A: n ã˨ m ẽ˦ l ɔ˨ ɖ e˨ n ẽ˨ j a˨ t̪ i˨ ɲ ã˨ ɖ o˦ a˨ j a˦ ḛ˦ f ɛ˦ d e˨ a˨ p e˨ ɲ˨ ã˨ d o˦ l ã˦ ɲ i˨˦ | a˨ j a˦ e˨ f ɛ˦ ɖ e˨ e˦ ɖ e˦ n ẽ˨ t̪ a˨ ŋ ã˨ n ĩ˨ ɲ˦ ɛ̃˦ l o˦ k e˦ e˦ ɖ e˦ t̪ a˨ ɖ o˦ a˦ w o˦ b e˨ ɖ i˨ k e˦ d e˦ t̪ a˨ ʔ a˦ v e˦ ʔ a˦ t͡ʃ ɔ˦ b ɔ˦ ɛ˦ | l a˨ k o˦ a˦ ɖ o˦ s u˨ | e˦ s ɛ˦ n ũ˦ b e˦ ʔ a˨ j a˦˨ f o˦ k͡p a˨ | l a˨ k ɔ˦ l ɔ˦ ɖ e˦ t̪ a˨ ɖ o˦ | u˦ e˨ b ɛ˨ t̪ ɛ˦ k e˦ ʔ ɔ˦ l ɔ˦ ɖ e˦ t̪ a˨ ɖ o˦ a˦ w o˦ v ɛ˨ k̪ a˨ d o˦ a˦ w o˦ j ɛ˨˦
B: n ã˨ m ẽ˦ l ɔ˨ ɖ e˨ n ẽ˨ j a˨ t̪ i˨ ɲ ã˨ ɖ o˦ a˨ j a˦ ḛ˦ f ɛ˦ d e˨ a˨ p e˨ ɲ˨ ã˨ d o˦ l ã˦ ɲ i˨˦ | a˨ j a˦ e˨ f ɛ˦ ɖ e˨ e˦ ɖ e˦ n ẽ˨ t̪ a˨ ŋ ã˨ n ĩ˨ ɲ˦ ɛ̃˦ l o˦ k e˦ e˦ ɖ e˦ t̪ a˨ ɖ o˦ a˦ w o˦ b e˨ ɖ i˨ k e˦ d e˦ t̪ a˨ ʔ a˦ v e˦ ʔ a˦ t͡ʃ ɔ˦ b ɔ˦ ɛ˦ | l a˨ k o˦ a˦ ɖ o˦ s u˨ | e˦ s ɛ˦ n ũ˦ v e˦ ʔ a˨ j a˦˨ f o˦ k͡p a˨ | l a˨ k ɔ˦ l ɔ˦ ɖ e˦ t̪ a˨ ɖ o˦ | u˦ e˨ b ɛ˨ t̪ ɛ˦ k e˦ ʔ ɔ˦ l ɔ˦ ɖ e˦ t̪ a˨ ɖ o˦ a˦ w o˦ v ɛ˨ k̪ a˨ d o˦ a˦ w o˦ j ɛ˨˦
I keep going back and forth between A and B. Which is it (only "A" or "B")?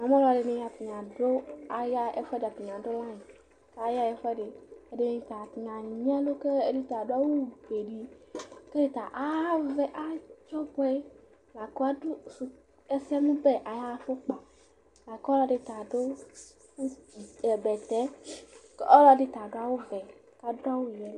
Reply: A